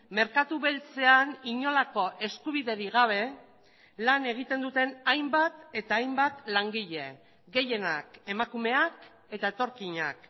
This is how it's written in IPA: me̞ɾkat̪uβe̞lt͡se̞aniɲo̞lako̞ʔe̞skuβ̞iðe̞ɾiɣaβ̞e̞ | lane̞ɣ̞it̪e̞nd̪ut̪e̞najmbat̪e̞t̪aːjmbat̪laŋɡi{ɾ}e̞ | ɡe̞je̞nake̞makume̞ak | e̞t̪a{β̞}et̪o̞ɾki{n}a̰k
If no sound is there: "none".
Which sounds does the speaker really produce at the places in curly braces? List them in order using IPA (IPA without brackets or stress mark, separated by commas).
ʎ, none, ɲ